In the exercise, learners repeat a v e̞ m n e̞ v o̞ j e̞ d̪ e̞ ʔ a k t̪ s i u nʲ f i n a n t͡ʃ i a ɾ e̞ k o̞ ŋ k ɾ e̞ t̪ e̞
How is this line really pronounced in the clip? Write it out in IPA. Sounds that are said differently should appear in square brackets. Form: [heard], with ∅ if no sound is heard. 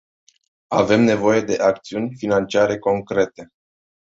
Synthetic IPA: a v e̞ m n e̞ v o̞ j e̞ d̪ e̞ ʔ a k t̪ s i u nʲ f i n a n t͡ʃ i a ɾ e̞ k o̞ ŋ k ɾ e̞ t̪ e̞